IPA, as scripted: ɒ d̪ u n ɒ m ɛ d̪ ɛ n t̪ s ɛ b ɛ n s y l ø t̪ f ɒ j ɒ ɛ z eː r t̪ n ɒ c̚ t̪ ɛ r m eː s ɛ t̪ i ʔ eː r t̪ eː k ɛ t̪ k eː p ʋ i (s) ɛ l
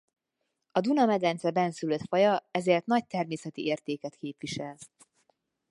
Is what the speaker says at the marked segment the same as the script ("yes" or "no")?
no